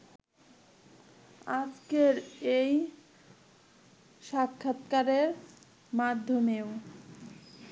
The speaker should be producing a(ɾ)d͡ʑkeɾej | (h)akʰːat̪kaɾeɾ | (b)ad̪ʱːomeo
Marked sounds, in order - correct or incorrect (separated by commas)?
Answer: incorrect, incorrect, incorrect